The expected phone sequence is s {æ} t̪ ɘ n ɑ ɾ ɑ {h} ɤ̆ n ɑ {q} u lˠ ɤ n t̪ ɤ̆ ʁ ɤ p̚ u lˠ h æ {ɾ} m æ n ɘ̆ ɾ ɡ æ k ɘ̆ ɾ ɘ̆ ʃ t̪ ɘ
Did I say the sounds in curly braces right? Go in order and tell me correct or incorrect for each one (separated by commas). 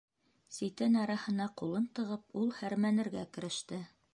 incorrect, correct, correct, correct